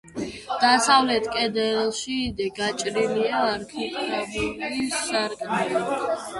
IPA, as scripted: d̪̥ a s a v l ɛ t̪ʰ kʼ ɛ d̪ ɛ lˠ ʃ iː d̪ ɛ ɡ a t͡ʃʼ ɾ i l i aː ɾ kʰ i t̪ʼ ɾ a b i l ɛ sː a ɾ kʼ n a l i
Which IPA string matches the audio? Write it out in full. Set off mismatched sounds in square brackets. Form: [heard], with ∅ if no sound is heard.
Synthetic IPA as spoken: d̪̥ a s a v l ɛ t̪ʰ kʼ ɛ d̪ ɛ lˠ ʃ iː d̪ ɛ ɡ a t͡ʃʼ ɾ i l i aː ɾ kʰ i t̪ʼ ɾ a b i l [i] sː a ɾ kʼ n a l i